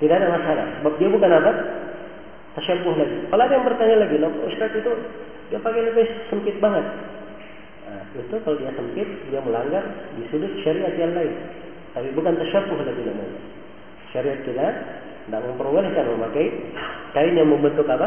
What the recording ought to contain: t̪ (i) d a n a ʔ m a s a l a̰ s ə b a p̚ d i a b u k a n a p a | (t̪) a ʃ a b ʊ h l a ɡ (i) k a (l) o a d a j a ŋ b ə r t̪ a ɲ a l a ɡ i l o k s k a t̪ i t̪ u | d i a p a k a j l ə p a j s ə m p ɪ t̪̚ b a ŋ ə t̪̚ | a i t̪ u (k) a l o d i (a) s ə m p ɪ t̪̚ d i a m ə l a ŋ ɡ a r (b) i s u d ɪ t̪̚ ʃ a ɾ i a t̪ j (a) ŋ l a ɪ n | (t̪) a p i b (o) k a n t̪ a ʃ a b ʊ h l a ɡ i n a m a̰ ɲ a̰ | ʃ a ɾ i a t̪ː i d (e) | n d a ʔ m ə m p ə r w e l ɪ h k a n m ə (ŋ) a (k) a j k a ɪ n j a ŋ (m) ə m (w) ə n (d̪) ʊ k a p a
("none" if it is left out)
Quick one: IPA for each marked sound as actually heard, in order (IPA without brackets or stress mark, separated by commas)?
i, t̪, i, l, k, a, d, a, t̪, u, a, m, k, m, b, t̪